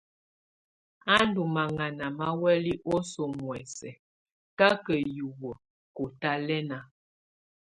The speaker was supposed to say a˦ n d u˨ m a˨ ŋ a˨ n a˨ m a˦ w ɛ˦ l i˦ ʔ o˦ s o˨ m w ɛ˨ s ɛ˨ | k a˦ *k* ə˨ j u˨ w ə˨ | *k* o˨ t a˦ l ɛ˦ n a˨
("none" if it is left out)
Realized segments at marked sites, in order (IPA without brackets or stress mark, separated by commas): k, k